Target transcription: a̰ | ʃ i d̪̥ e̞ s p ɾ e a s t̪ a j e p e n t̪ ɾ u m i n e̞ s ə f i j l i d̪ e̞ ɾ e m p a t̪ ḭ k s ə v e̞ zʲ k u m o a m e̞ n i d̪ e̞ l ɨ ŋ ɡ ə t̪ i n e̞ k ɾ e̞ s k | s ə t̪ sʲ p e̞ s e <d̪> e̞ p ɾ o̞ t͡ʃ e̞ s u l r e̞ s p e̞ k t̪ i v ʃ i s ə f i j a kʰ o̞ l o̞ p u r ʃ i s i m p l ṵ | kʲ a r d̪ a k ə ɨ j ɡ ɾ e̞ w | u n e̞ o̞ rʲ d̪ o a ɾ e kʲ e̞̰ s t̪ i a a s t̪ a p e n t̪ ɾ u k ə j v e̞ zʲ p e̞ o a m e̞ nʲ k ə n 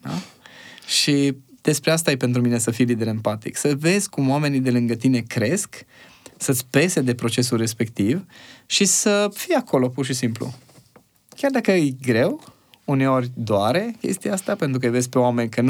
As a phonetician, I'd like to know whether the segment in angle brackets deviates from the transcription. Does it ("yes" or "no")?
no